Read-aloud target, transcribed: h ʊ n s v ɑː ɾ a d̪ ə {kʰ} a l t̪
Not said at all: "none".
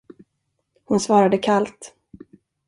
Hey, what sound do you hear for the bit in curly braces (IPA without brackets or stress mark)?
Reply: kʰ